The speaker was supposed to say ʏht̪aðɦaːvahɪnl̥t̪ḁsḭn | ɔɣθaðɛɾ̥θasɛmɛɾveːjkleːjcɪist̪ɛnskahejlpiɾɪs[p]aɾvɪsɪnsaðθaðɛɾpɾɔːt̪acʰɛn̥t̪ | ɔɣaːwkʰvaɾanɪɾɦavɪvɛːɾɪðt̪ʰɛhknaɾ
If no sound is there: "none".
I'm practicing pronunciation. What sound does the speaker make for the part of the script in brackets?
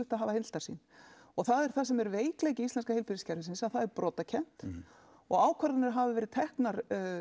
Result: c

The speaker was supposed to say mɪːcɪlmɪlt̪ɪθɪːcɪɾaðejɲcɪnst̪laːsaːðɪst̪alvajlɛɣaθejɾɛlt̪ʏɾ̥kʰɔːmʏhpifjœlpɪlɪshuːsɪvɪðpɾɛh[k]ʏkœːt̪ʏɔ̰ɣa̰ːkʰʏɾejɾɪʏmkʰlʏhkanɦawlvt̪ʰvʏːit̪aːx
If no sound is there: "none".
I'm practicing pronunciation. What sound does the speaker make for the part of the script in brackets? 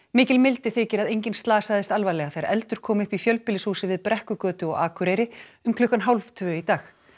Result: k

